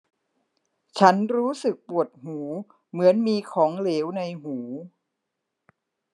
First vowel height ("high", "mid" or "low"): low